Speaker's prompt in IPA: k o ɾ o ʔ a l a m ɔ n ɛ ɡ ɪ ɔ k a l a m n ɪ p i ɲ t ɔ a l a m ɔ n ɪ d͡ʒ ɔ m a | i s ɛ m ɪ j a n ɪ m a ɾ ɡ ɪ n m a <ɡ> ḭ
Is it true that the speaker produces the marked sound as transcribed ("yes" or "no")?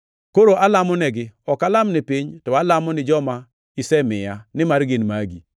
yes